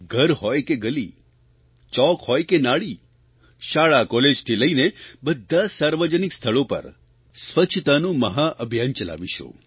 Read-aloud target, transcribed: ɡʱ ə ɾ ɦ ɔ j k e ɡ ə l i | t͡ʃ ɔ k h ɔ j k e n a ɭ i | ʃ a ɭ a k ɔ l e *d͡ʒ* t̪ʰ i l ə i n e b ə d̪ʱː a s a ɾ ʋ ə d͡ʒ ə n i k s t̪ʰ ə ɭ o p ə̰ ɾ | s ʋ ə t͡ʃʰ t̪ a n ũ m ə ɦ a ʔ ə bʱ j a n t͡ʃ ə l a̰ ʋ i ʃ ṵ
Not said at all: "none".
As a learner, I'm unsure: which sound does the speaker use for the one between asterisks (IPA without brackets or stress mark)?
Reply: d͡ʒ